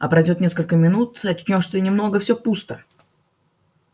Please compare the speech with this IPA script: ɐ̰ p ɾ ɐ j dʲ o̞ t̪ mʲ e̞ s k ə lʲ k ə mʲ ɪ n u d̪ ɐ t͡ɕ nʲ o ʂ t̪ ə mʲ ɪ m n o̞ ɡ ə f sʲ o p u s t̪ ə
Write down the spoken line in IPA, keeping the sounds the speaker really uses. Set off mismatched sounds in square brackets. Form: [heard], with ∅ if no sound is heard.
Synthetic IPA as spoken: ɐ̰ p ɾ ɐ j dʲ o̞ t̪ [nʲ] e̞ s k ə lʲ k ə mʲ ɪ n u [t̪] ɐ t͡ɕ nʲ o ʂ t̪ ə [nʲ] ɪ m n o̞ ɡ ə f sʲ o p u s t̪ ə